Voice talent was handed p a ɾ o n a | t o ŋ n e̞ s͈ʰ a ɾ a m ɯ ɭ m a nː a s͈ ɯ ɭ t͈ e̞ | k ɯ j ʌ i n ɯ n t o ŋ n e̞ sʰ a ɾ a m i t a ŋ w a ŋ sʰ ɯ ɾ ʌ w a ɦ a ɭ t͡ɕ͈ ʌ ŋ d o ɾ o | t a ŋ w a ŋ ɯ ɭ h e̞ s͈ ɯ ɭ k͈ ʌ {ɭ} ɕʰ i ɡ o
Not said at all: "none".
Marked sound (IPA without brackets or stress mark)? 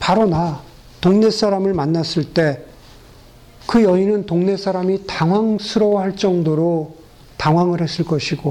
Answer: none